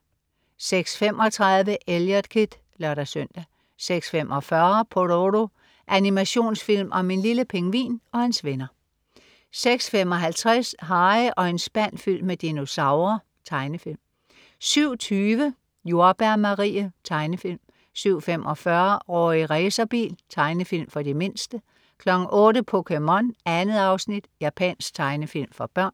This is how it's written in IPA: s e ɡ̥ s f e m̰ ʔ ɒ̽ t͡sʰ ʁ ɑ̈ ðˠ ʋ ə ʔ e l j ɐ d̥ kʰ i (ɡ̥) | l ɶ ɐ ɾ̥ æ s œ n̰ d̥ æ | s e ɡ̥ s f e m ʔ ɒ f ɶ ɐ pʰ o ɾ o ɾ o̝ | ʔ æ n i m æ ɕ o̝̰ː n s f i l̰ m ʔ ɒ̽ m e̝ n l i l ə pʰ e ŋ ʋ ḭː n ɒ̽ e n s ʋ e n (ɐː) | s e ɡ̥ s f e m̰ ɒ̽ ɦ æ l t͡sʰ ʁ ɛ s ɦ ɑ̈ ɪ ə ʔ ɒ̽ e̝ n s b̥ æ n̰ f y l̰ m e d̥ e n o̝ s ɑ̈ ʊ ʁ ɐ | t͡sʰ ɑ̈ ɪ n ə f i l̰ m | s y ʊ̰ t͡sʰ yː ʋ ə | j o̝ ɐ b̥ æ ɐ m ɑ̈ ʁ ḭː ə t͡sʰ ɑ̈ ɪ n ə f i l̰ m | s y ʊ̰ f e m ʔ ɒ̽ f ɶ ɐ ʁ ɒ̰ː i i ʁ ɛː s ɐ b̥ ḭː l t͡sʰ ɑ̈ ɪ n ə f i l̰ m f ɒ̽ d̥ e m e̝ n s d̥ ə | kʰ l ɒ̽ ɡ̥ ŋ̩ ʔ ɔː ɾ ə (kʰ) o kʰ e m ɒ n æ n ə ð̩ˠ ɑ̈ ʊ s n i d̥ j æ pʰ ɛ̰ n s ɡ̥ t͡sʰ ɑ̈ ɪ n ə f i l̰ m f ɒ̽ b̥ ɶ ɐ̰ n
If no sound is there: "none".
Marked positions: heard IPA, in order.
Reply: d̥, ɐ, pʰ

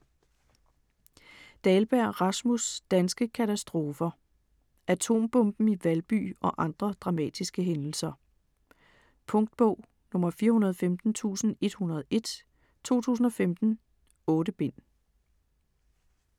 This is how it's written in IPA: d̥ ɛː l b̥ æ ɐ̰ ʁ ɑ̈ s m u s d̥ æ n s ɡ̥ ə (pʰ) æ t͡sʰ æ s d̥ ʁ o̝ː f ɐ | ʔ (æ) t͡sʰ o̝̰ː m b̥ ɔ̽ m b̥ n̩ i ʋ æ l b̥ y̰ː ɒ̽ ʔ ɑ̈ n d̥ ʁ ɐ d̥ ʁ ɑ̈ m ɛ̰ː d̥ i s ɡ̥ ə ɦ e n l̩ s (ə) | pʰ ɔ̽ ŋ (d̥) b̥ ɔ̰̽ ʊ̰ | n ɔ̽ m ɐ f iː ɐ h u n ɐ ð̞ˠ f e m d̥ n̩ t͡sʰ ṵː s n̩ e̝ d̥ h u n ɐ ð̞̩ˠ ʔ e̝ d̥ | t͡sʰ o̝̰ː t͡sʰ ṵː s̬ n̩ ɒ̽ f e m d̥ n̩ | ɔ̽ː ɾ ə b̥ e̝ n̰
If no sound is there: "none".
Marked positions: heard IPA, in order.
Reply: kʰ, æ, ɐ, d̥

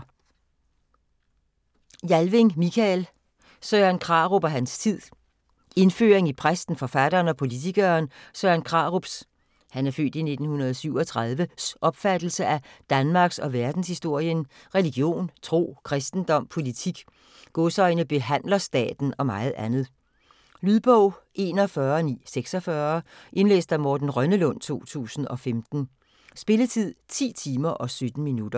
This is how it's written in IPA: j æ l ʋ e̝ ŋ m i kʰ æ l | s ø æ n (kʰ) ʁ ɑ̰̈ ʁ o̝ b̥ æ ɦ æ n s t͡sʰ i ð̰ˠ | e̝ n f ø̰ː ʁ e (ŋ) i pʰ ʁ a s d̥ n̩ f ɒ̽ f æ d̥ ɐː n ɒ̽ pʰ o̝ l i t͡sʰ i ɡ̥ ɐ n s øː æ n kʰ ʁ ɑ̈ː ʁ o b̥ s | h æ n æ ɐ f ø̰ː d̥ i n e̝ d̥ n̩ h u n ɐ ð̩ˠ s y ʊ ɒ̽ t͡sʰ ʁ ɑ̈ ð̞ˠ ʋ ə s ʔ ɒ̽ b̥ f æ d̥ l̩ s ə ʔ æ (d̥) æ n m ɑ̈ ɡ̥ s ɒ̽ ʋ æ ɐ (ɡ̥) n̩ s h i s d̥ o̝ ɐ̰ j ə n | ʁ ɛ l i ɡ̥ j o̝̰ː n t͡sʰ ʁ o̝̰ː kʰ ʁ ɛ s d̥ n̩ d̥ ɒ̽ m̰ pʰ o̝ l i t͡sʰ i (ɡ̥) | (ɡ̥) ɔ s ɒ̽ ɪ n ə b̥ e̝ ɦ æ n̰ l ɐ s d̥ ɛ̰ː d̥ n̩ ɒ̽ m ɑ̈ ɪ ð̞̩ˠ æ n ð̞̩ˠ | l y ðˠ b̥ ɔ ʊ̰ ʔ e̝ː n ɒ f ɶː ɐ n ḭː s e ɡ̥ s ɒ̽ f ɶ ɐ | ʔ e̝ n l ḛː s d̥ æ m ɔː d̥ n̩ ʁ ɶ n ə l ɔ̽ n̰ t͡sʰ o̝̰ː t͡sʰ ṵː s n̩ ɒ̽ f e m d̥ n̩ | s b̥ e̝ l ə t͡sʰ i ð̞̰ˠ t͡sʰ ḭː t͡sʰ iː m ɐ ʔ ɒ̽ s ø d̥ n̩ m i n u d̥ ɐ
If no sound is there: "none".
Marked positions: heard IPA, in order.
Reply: kʰ, ŋ, d̥, d̥, ɡ̥, ɡ̥

